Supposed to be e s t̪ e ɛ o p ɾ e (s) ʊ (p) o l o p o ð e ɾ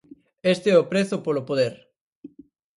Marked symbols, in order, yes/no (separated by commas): no, yes